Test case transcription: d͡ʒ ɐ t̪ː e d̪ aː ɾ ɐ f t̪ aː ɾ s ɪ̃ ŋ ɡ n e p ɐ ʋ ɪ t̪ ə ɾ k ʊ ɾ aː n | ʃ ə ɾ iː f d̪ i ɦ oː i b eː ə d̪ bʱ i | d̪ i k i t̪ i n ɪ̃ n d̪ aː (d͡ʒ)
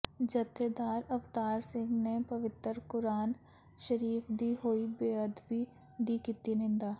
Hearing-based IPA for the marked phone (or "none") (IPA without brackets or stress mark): none